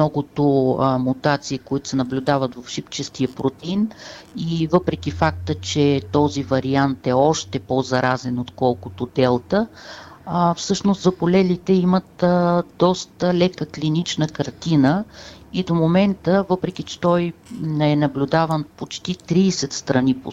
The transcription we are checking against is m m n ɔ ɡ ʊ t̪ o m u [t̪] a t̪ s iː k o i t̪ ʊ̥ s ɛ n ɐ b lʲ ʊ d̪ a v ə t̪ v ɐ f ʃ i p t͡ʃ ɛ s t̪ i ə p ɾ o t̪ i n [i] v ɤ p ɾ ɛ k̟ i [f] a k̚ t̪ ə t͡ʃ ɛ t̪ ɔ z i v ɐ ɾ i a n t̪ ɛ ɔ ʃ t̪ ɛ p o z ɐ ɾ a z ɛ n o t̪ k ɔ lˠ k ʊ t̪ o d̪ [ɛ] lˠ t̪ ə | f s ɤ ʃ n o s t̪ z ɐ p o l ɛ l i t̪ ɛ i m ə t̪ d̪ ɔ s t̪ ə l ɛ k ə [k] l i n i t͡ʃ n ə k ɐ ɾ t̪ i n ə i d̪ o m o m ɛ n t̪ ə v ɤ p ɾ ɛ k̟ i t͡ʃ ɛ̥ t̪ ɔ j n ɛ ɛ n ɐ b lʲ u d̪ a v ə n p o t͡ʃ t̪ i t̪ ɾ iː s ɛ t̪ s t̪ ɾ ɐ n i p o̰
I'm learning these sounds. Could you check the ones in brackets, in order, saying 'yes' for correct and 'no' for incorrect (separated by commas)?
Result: yes, yes, yes, yes, yes